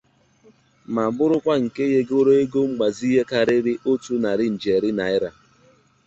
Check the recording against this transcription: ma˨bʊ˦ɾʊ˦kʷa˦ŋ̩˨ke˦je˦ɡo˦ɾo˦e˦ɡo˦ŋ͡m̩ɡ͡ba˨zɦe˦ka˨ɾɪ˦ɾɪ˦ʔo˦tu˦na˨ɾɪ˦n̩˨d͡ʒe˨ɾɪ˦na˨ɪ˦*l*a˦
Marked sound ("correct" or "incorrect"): incorrect